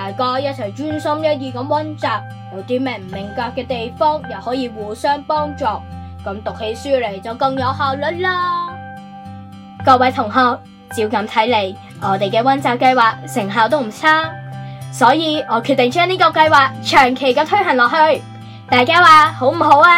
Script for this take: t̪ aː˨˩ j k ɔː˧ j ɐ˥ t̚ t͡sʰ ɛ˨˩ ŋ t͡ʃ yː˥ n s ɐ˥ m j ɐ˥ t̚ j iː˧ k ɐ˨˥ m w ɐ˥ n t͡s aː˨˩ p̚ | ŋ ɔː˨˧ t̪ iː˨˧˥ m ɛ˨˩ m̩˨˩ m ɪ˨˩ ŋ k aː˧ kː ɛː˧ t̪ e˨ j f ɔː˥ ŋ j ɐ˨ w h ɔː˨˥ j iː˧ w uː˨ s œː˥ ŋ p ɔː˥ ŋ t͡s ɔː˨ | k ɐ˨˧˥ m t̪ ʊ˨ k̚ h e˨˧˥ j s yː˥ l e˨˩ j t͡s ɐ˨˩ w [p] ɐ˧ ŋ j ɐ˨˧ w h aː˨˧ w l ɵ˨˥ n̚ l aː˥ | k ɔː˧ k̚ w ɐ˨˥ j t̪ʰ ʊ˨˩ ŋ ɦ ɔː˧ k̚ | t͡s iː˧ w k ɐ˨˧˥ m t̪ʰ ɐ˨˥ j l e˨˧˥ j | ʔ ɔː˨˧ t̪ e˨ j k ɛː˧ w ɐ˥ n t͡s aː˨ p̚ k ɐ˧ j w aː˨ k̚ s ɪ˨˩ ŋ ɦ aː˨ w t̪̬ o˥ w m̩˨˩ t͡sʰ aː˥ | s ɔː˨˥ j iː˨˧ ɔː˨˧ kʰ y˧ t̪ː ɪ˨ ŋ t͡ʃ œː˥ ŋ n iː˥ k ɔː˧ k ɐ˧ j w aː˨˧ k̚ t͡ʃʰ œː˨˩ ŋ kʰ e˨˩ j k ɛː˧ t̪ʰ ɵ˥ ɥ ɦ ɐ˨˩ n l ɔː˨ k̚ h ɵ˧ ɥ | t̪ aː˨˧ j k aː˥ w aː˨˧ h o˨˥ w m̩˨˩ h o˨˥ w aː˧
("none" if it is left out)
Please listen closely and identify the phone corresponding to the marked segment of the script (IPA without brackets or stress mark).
k